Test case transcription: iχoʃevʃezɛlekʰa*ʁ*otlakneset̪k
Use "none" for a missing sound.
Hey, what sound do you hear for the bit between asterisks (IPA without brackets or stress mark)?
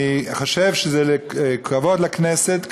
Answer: v